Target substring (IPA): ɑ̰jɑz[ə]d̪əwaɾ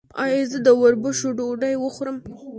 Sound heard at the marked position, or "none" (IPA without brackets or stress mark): ə